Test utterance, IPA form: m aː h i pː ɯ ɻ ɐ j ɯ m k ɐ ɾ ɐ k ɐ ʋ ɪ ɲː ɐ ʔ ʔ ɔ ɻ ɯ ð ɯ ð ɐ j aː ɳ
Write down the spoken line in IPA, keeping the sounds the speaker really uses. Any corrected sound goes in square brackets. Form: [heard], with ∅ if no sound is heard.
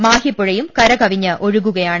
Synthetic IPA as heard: m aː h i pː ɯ ɻ ɐ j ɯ m k ɐ ɾ ɐ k ɐ ʋ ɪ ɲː ɐ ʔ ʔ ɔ ɻ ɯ [ɣ] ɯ [ɣ] ɐ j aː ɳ